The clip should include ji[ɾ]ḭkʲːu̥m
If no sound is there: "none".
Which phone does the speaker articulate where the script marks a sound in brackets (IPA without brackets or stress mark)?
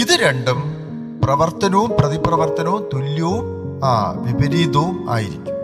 ɾ